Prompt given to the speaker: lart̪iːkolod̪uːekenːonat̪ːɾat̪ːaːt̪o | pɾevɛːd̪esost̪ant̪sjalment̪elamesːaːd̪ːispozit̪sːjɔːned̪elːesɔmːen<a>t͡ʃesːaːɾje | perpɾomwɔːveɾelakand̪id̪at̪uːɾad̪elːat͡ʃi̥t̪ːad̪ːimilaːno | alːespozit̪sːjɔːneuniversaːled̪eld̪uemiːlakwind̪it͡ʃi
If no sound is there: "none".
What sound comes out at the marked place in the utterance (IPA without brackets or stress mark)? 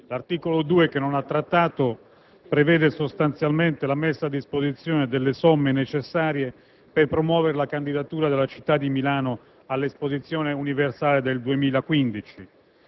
e